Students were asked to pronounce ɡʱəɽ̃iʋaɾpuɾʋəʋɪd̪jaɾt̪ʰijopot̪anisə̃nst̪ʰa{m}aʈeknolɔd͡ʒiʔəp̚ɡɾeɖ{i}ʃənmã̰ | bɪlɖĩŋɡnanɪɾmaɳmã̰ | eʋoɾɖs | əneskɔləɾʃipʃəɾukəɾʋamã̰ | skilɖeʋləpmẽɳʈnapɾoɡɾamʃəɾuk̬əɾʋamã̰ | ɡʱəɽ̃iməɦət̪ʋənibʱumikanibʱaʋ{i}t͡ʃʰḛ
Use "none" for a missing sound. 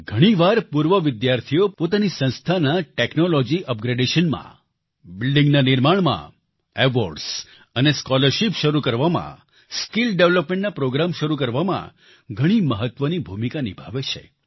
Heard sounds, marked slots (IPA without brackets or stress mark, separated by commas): n, e, e